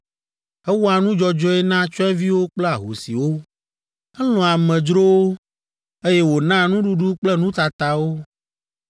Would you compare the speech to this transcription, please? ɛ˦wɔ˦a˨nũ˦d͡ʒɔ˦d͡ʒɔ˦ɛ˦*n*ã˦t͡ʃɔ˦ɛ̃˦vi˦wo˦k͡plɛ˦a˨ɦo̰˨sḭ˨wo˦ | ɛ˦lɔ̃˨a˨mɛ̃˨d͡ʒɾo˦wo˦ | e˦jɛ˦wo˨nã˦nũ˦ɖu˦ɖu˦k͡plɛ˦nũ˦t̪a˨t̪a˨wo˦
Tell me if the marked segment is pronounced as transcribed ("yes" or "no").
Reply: yes